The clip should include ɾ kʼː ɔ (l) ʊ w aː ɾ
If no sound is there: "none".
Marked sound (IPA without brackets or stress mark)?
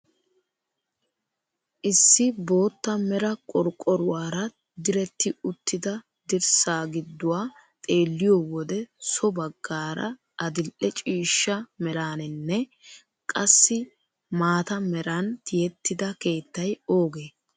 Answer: ɾ